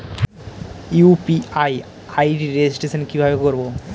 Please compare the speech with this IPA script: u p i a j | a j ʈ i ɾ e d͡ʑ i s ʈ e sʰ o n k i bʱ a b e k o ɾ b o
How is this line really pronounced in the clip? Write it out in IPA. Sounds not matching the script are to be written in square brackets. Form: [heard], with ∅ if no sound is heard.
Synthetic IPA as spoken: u p i a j | a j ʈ i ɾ e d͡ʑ i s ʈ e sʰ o n k i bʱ a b e k o ɾ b o